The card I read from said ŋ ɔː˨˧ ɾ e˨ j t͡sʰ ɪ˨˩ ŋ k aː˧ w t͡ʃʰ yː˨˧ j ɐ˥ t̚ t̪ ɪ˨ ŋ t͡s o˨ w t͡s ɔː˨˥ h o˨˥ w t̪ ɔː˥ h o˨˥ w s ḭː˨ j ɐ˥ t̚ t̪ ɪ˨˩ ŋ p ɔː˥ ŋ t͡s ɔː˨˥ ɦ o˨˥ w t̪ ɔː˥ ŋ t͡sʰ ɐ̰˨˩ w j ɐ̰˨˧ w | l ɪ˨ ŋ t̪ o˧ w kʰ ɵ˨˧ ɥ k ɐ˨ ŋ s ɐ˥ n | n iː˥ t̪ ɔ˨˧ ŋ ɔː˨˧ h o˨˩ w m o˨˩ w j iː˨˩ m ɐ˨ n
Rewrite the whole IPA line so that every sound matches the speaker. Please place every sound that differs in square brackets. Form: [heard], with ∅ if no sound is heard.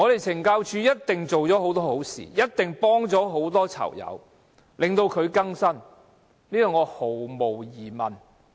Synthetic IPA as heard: ŋ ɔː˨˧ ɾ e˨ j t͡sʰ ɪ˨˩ ŋ k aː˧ w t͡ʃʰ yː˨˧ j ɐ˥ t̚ t̪ ɪ˨ ŋ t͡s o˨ w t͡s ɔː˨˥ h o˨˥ w t̪ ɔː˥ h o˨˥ w s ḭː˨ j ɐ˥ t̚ t̪ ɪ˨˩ ŋ p ɔː˥ ŋ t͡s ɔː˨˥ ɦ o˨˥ w t̪ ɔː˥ [∅] t͡sʰ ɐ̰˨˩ w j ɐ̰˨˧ w | l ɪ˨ ŋ t̪ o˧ w kʰ ɵ˨˧ ɥ k [ɐ˥] ŋ s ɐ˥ n | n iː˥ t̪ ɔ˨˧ ŋ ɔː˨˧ h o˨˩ w m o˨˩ w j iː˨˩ m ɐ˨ n